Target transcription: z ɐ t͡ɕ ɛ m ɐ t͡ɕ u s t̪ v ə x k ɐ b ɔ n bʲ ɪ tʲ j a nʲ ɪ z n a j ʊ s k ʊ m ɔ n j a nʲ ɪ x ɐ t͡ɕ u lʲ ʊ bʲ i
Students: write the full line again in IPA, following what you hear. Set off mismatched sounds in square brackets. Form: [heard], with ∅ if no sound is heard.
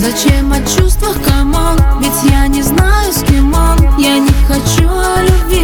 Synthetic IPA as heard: z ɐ t͡ɕ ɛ m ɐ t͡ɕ u s t̪ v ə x k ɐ [m] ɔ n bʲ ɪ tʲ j a nʲ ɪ z n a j ʊ s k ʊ m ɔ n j a nʲ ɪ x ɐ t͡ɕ u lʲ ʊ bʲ i